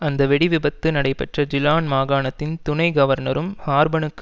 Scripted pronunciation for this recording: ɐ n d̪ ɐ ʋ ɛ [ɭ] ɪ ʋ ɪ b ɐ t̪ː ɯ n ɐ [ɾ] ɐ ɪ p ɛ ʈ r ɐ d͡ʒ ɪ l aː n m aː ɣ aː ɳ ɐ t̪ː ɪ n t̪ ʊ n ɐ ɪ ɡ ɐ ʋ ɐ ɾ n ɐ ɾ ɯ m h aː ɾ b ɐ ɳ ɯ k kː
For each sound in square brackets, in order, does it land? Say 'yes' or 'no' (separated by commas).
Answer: no, no